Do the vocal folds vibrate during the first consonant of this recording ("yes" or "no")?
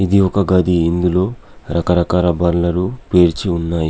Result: yes